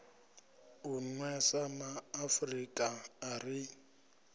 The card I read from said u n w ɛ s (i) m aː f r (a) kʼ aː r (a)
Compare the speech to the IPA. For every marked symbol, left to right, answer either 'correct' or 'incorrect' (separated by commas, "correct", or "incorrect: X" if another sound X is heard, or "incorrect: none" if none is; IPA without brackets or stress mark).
incorrect: a, incorrect: i, incorrect: i